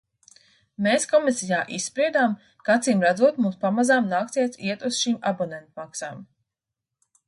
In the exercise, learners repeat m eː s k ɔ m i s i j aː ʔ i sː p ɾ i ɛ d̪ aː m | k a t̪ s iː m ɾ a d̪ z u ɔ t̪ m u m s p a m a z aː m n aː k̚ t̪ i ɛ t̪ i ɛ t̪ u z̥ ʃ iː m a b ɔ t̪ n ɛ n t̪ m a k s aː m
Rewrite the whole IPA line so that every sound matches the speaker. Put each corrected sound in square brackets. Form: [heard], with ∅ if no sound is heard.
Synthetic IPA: m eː s k ɔ m i s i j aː ʔ i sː p ɾ i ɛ d̪ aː m | k a t̪ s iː m ɾ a d̪ z u ɔ t̪ m u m s p a m a z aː m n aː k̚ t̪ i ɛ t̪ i ɛ t̪ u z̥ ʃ iː m a b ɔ [∅] n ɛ n t̪ m a k s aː m